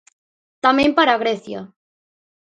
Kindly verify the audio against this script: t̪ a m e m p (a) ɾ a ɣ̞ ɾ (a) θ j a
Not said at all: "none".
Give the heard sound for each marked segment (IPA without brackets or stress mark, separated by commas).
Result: a, e